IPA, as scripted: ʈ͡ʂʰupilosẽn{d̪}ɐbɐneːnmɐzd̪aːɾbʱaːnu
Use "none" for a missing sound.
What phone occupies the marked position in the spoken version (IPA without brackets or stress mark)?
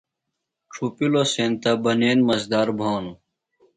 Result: t̪